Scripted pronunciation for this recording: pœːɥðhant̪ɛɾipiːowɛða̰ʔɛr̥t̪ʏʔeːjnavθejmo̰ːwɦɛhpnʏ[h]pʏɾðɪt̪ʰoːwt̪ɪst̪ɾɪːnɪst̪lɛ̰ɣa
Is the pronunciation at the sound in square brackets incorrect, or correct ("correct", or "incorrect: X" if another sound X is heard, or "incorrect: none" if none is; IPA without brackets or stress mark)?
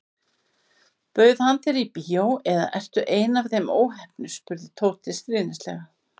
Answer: incorrect: s